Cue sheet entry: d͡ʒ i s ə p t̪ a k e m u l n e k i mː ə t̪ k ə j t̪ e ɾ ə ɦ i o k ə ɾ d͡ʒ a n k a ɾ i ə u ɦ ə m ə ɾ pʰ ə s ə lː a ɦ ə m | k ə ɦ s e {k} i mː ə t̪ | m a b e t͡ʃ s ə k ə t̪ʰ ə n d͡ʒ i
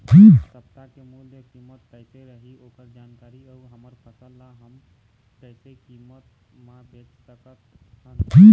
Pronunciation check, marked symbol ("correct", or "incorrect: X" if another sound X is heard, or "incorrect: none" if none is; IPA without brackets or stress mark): correct